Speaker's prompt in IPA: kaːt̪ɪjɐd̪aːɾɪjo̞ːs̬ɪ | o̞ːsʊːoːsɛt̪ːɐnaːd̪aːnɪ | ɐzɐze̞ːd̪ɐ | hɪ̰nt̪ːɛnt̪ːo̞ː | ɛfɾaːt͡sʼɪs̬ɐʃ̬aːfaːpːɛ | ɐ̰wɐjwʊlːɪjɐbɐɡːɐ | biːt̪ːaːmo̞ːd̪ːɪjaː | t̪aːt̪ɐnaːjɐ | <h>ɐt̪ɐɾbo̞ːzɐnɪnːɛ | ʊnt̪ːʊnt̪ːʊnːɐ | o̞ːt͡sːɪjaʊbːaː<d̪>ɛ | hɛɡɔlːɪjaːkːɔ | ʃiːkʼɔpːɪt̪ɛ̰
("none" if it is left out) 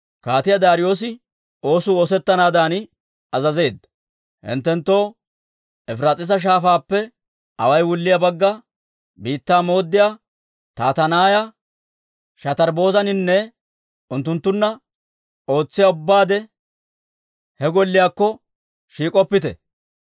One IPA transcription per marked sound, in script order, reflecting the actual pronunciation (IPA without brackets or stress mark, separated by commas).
ʃ, d̪